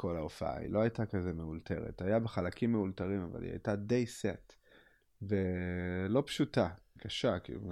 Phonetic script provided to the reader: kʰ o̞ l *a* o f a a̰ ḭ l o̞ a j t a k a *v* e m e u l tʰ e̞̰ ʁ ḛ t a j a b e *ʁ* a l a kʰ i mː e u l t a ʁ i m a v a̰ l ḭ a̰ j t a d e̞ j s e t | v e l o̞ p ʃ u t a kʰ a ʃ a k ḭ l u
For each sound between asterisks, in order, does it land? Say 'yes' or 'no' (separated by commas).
yes, no, no